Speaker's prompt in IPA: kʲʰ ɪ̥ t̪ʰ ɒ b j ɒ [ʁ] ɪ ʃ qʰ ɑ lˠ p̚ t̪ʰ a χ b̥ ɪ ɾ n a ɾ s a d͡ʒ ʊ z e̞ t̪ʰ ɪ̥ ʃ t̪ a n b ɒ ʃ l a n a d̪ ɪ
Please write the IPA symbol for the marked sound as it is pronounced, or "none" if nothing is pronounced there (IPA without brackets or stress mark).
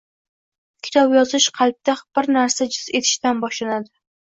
z